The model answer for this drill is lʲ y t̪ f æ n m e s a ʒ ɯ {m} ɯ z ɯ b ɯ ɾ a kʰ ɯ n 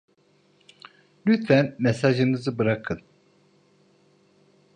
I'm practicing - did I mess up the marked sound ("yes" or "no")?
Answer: yes